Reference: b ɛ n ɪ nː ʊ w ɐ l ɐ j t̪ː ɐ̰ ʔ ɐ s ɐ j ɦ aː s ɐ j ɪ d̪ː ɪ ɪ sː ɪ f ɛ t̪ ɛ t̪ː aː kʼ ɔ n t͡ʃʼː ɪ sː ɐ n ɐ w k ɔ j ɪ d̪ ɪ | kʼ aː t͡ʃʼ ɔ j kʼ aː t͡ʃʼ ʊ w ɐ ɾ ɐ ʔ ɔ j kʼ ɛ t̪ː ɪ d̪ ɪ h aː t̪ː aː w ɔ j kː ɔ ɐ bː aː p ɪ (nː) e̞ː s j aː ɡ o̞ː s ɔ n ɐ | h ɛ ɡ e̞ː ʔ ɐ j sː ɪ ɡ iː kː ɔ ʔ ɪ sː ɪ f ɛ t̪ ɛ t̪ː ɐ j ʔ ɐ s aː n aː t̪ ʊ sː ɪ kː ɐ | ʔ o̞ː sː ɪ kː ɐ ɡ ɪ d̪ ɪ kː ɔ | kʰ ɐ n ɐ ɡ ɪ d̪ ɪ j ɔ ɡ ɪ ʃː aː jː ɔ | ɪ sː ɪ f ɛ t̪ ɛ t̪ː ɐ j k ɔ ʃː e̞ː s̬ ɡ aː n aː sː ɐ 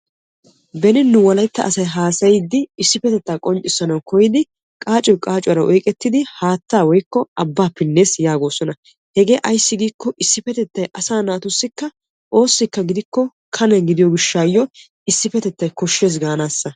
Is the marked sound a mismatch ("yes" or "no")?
no